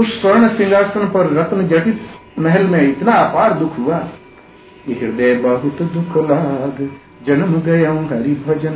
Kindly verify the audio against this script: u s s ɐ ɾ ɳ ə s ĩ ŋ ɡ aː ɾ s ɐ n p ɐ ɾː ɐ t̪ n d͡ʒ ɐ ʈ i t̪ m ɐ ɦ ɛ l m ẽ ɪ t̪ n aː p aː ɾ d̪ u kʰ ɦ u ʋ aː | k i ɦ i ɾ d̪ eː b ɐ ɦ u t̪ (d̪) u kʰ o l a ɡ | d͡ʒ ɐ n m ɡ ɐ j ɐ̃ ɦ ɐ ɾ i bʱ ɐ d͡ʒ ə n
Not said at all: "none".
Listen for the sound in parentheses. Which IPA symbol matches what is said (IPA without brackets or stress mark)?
d̪